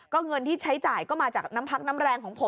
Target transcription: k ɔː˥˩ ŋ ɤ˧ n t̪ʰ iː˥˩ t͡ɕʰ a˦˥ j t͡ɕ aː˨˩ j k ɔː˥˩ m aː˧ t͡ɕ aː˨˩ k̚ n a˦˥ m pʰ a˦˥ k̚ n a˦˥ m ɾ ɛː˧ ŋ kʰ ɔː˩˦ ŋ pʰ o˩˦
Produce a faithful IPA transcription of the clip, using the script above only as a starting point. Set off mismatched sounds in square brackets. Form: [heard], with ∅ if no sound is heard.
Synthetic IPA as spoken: k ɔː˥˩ ŋ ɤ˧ n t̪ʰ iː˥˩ t͡ɕʰ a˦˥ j t͡ɕ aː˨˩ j k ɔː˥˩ m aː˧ t͡ɕ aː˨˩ k̚ n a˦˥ m pʰ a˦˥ k̚ n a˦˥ m ɾ ɛː˧ ŋ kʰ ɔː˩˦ ŋ pʰ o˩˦